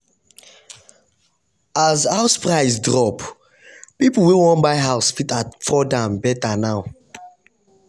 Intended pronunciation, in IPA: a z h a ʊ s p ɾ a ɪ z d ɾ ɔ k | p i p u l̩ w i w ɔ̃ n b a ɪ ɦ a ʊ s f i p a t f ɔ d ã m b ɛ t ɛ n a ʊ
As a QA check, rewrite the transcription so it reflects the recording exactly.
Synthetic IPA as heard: a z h a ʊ s p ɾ a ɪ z d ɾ ɔ p | p i p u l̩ w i w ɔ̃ n b a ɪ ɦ a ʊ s f i t a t f ɔ d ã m b ɛ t a n a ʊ